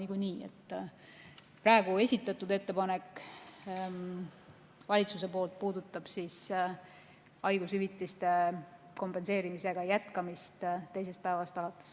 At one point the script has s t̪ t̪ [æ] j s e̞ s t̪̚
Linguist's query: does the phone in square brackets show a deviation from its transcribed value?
yes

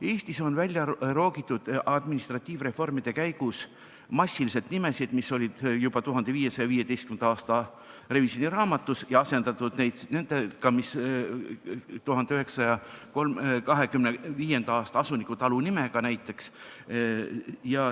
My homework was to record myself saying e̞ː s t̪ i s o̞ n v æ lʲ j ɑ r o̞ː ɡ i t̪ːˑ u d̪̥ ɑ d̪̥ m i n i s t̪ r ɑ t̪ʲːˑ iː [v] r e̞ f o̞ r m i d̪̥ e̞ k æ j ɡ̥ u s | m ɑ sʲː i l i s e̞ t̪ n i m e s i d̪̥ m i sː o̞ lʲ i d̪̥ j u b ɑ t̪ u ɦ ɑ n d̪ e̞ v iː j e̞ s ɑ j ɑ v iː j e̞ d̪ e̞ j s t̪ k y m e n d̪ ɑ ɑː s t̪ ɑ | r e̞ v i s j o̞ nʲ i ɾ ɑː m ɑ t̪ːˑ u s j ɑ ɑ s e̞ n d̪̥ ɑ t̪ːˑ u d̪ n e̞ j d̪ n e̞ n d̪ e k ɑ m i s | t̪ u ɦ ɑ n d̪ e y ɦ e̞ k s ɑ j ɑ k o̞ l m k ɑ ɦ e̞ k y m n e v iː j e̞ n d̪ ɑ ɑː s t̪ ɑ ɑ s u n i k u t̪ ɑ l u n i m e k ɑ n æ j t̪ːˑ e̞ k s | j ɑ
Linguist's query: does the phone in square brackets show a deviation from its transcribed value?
no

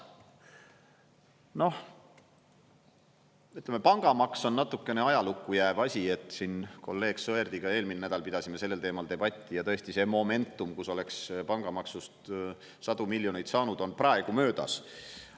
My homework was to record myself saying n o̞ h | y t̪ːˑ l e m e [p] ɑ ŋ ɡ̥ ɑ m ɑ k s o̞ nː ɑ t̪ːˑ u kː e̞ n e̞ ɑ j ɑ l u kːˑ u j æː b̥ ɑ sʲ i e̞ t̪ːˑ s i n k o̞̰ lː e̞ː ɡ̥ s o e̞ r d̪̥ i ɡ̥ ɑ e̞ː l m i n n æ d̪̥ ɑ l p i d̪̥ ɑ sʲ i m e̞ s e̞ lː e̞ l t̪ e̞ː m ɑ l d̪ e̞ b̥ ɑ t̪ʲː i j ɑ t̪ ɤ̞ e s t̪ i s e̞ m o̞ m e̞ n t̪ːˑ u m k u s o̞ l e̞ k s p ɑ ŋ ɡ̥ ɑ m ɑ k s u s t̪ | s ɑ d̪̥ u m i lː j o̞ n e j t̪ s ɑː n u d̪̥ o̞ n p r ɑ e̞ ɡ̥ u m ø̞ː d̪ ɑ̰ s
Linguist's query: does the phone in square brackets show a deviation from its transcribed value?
no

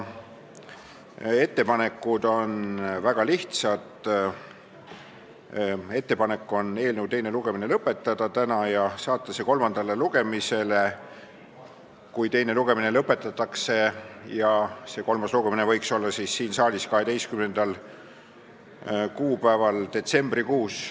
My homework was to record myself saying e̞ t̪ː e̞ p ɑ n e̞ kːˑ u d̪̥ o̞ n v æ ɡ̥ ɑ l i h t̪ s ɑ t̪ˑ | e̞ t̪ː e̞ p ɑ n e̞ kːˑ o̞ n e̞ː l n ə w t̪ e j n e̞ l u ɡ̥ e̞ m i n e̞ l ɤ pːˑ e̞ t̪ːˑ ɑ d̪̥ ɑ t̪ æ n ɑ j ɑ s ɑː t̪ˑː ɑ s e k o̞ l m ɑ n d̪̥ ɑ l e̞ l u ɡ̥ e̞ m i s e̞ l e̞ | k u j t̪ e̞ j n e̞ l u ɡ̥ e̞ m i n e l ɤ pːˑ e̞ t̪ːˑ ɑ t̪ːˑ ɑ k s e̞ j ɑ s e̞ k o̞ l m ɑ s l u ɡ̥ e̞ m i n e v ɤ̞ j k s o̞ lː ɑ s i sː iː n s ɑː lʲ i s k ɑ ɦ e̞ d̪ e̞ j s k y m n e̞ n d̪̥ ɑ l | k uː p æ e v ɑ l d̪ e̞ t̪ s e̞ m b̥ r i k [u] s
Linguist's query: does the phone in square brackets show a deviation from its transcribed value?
yes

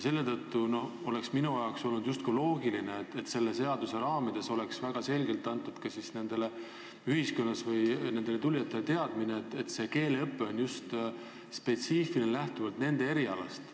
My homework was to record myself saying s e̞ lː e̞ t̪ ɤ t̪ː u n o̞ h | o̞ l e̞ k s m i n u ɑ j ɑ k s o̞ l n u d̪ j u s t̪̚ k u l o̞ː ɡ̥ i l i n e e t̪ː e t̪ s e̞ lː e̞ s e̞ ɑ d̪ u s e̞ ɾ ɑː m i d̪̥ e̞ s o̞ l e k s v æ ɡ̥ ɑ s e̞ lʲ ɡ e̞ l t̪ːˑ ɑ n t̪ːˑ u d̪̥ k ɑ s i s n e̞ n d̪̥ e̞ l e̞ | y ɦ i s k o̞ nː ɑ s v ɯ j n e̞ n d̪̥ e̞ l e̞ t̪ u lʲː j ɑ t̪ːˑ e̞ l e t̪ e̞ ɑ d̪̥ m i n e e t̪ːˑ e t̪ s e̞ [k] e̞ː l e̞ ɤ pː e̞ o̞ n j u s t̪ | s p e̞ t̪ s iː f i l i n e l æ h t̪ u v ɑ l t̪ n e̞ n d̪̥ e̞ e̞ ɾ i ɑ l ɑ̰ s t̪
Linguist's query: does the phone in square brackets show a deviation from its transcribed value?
no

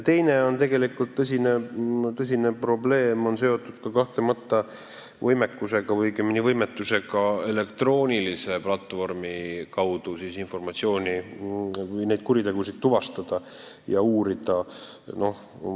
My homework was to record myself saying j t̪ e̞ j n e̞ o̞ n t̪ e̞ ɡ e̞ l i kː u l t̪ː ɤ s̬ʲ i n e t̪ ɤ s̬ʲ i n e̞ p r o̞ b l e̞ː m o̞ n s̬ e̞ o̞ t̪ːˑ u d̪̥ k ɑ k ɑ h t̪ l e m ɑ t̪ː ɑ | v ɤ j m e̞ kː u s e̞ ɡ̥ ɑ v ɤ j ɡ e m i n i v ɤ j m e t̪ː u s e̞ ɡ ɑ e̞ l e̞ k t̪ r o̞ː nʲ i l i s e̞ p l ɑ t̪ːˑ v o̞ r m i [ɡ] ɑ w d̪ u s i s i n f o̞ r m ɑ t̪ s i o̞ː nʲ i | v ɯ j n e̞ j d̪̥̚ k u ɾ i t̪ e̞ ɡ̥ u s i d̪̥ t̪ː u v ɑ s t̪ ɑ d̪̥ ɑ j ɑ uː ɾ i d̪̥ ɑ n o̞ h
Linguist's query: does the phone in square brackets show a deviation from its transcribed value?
yes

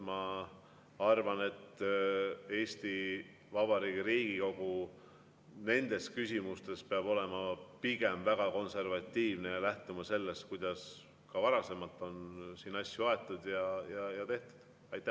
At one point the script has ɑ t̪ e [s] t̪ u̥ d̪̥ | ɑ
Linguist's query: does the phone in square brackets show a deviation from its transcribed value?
yes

